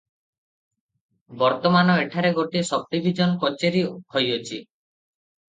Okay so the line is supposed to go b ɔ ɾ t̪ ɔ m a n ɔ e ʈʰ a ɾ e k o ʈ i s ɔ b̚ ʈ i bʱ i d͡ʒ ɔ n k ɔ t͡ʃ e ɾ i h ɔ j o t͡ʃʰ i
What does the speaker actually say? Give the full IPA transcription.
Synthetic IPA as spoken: b ɔ ɾ t̪ ɔ m a n ɔ e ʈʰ a ɾ e ɡ o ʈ i s ɔ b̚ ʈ i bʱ i d͡ʒ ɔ n k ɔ t͡ʃ e ɾ i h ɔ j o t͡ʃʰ i